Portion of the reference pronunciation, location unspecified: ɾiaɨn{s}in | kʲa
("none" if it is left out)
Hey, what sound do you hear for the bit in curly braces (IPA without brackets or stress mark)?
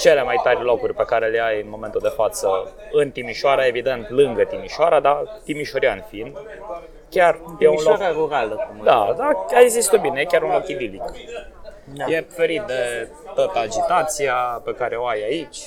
f